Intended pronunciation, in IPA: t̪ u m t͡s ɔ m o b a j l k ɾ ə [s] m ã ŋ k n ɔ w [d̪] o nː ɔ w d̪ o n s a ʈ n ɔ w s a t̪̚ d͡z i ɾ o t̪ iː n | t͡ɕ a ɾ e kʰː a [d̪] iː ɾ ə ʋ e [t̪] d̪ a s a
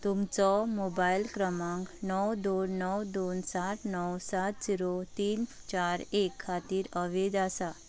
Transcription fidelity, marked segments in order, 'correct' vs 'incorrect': incorrect, correct, incorrect, incorrect

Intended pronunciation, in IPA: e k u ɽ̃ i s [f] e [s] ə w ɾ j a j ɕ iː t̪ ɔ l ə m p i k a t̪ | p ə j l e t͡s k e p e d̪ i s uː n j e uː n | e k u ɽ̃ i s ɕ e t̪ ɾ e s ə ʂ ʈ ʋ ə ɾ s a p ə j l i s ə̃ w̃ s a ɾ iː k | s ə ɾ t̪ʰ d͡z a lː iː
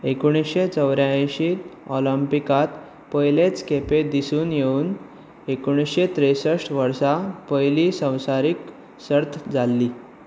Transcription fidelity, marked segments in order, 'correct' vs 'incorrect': incorrect, incorrect

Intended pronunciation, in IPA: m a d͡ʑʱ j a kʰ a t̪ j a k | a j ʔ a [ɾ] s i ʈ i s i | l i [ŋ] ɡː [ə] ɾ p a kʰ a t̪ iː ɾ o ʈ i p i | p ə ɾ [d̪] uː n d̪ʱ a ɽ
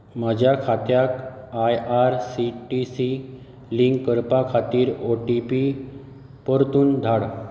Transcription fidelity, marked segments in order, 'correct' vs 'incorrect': correct, correct, correct, incorrect

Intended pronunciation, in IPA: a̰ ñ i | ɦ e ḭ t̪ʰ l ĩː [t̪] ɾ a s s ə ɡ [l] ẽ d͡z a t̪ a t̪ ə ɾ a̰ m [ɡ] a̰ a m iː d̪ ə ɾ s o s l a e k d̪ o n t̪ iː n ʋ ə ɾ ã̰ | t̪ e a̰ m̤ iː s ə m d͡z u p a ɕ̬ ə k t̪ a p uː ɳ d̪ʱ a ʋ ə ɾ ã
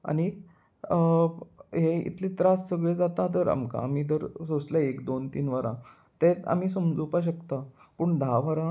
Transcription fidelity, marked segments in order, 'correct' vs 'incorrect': correct, incorrect, incorrect

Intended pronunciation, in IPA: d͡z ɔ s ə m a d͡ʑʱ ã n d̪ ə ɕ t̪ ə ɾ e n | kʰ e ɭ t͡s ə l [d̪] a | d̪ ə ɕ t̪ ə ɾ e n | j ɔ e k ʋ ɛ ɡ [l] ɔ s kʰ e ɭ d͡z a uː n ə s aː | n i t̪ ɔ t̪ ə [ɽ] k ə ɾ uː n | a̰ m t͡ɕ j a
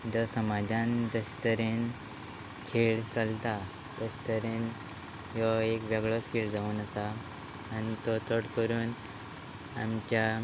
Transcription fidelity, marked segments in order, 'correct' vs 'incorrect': incorrect, incorrect, correct

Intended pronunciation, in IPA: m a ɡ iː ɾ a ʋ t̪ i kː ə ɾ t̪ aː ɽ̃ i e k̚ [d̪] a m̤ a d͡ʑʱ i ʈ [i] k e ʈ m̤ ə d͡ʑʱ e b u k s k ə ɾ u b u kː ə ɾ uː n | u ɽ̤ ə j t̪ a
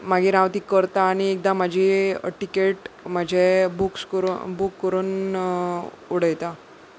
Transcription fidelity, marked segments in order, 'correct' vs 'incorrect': correct, correct

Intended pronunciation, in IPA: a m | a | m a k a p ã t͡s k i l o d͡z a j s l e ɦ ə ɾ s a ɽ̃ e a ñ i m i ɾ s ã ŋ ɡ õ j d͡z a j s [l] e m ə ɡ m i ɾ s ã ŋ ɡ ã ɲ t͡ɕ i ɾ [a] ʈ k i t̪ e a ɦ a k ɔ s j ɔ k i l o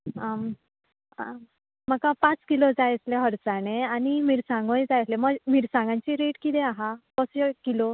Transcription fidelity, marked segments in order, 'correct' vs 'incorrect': correct, incorrect

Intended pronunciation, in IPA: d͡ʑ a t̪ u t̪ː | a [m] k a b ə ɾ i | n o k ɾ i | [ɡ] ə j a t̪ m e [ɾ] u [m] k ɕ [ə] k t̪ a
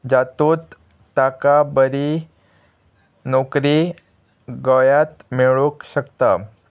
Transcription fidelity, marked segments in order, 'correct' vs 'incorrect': incorrect, correct, incorrect, incorrect, correct

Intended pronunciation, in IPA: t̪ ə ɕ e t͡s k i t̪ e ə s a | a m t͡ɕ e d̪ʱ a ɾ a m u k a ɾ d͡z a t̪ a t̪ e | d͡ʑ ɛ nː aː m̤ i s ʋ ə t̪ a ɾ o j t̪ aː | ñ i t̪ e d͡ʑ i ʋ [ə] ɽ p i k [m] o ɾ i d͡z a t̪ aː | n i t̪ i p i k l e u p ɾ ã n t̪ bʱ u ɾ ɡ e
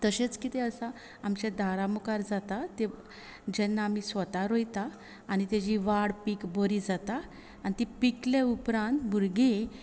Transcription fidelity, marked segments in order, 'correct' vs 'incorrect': incorrect, incorrect

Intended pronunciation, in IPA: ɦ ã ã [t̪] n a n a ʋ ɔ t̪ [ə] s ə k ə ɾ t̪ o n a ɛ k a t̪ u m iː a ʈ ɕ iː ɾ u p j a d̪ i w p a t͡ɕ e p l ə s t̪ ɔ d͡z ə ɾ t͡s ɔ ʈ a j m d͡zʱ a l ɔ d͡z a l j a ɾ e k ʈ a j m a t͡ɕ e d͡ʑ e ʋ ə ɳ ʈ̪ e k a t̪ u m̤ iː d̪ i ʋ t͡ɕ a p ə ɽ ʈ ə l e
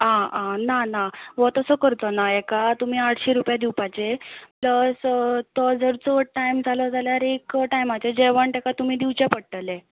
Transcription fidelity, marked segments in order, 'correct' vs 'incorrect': incorrect, correct

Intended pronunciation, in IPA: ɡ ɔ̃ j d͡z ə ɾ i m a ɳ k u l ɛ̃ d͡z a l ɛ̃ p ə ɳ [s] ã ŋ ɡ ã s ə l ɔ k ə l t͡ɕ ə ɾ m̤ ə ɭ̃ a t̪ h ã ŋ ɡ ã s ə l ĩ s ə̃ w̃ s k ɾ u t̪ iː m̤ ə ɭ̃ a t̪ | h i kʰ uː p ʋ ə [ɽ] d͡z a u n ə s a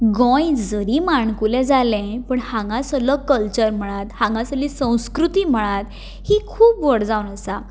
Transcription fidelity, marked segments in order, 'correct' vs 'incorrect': incorrect, correct

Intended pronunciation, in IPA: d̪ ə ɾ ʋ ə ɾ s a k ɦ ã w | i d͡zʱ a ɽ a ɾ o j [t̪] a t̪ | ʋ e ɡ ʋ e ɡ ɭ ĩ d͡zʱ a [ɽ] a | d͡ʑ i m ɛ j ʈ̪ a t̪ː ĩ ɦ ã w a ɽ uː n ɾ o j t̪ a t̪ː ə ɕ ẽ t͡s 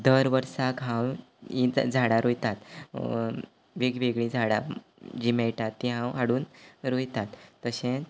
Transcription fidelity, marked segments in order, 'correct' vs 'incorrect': correct, correct

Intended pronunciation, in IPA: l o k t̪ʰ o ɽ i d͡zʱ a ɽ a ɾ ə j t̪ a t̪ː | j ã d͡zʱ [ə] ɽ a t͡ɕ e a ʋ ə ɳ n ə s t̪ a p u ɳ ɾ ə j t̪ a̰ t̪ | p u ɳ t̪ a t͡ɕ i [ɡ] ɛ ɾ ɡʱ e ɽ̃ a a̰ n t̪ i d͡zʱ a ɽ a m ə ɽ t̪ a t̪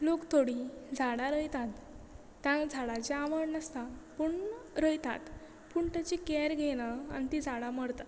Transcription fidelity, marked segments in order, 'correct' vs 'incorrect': incorrect, incorrect

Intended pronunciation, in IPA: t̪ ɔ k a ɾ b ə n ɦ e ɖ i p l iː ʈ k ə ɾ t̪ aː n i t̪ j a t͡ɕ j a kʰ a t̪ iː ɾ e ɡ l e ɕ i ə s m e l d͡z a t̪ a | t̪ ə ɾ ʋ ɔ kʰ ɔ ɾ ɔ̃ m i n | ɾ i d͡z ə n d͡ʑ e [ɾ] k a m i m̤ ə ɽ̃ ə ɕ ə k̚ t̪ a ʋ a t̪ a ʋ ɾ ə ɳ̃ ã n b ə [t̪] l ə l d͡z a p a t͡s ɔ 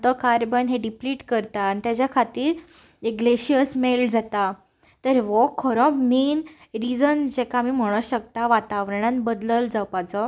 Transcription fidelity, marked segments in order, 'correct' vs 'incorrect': incorrect, incorrect

